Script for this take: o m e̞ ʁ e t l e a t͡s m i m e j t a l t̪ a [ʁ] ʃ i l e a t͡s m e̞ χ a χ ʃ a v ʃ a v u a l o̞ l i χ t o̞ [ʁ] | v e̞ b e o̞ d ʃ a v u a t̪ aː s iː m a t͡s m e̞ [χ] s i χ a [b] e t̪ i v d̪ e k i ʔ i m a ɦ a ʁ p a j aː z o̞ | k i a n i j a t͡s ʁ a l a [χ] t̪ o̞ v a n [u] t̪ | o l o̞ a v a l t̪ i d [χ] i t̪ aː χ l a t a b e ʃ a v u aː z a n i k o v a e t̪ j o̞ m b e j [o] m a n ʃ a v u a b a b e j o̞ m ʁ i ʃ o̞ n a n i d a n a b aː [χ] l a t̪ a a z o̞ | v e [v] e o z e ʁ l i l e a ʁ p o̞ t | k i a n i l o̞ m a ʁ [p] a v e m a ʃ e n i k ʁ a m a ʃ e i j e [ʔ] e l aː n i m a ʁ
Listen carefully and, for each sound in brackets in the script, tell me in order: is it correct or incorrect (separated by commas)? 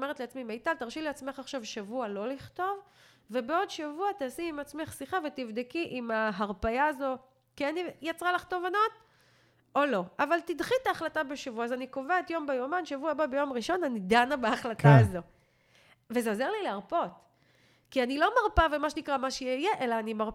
correct, incorrect, correct, incorrect, correct, incorrect, correct, correct, correct, incorrect, correct, correct